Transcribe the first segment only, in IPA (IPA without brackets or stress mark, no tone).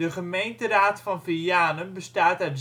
ə